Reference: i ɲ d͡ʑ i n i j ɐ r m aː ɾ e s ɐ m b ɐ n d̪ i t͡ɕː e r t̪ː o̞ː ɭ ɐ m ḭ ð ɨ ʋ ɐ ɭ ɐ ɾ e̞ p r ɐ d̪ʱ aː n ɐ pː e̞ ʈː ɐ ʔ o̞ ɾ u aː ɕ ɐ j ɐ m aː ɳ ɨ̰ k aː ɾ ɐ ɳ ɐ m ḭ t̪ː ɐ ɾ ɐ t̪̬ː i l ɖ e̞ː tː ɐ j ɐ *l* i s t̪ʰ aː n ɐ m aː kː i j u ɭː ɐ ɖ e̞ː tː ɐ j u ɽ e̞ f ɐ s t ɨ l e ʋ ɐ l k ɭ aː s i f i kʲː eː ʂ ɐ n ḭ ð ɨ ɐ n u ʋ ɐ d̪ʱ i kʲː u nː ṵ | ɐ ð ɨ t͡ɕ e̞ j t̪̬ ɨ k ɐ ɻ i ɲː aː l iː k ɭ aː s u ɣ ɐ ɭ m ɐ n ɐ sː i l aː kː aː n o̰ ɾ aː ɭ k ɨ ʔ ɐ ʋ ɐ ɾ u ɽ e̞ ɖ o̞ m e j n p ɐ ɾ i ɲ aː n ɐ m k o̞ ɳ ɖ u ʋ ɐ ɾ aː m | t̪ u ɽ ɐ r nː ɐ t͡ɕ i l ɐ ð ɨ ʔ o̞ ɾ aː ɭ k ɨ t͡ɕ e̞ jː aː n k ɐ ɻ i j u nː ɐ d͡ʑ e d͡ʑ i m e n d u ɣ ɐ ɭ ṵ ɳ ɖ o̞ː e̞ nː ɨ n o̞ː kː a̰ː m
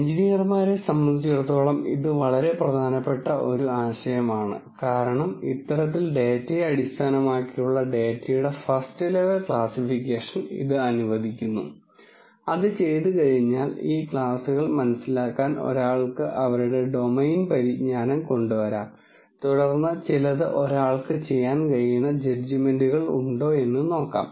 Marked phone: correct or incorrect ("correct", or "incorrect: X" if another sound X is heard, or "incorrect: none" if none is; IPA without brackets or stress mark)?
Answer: incorrect: ɽ